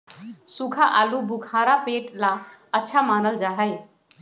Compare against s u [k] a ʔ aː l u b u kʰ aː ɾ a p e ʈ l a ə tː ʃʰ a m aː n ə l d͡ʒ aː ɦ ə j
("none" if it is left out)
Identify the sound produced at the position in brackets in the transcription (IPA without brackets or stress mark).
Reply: kʰ